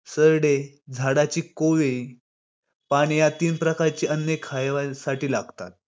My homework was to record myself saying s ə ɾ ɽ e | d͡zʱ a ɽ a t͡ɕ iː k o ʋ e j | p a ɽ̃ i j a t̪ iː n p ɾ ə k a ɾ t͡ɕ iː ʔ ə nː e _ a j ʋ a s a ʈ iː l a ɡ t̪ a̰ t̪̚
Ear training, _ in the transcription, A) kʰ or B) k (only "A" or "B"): A